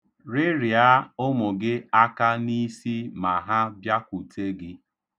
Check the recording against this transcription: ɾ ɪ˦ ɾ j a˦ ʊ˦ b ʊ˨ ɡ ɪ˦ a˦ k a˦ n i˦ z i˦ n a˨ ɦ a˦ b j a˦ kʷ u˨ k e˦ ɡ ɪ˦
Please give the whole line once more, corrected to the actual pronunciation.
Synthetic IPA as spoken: ɾ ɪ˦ ɾ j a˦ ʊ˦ m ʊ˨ ɡ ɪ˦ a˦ k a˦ n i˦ s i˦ m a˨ ɦ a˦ b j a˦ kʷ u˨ t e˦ ɡ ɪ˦